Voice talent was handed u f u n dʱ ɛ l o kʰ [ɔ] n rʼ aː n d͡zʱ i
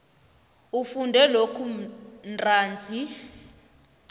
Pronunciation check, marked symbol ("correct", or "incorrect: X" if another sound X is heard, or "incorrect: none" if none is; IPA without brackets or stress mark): incorrect: u